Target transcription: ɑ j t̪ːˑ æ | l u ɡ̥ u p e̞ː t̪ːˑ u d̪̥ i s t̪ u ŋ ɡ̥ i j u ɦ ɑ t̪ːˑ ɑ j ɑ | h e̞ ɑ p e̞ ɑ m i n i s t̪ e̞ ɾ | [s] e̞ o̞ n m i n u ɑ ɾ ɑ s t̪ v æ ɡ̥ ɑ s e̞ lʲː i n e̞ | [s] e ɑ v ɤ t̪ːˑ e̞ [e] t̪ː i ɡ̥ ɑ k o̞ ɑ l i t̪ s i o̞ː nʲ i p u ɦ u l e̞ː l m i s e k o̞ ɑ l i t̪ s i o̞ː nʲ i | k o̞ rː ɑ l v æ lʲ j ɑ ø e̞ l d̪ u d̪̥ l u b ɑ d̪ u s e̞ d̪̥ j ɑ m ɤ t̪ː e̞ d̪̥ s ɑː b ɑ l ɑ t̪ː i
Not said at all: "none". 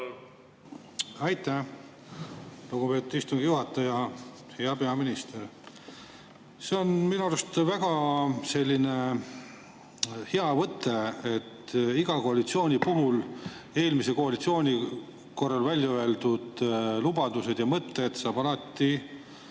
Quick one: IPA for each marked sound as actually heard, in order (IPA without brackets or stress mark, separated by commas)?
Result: s, h, e